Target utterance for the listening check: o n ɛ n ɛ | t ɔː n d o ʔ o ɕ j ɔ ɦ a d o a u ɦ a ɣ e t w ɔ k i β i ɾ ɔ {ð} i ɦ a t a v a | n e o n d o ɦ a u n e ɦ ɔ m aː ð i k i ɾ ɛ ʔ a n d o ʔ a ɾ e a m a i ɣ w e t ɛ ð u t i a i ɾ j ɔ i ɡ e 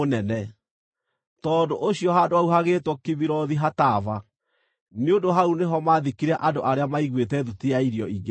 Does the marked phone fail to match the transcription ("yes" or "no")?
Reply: no